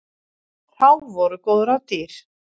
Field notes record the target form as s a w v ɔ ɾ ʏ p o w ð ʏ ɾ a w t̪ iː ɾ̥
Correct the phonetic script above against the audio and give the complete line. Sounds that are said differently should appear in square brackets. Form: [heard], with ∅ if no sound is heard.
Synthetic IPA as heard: [θ] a w v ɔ ɾ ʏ [k] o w ð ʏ ɾ a w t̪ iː ɾ̥